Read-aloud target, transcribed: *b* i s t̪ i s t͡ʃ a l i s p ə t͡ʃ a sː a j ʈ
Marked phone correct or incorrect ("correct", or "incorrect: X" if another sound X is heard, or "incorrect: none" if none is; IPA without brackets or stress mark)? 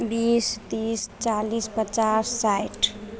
correct